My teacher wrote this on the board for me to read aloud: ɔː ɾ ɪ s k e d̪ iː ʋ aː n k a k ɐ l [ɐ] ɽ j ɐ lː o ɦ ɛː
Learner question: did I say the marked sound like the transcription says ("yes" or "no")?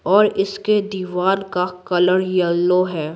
no